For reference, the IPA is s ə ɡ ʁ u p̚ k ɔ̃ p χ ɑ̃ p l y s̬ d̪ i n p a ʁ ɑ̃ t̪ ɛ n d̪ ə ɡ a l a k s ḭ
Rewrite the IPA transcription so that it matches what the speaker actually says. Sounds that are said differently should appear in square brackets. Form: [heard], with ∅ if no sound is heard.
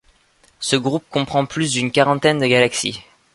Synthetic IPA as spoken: s ə ɡ ʁ u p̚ k ɔ̃ p χ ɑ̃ p l y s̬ d̪ [y] n [k] a ʁ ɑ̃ t̪ ɛ n d̪ ə ɡ a l a k s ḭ